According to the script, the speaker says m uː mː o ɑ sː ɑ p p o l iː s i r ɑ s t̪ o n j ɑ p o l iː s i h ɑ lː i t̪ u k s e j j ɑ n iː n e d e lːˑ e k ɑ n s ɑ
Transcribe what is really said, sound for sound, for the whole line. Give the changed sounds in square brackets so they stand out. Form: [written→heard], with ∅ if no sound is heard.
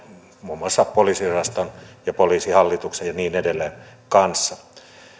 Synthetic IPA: m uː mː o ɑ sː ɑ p p o l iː s i r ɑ s t̪ o n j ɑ p o l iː s i h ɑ lː i t̪ u k s e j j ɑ n iː n e d e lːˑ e k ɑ n [s→sː] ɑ